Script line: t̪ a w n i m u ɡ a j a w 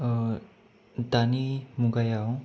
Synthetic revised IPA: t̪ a n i m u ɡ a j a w